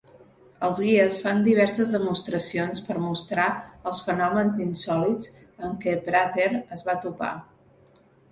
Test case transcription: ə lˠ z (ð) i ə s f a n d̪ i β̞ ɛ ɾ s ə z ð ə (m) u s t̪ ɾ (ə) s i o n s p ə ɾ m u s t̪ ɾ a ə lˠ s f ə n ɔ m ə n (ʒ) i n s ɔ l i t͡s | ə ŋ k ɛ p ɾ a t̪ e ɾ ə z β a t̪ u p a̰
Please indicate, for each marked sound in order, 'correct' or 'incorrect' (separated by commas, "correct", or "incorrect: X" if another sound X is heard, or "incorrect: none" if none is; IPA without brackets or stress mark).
incorrect: ɣ, correct, correct, incorrect: z